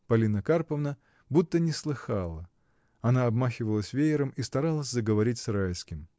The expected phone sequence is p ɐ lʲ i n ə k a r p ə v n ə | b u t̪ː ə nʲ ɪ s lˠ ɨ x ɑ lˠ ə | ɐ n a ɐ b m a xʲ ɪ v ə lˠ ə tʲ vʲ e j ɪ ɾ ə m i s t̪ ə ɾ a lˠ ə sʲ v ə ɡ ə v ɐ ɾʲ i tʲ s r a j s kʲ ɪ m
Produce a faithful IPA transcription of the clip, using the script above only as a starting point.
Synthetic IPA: p ɐ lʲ i n ə k a r p ə v n ə | b u t̪ː ə nʲ ɪ s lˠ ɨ x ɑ lˠ ə | ɐ n a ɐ b m a xʲ ɪ v ə lˠ ə sʲ vʲ e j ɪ ɾ ə m i s t̪ ɐ ɾ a lˠ ə sʲ z ə ɡ ə v ɐ ɾʲ i tʲ s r a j s kʲ ɪ m